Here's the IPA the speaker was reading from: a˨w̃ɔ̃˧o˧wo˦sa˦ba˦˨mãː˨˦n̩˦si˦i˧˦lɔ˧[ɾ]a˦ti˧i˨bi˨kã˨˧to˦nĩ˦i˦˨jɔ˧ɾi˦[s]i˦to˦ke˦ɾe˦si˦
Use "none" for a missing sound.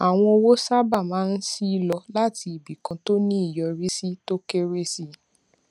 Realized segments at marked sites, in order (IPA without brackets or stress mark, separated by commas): l, s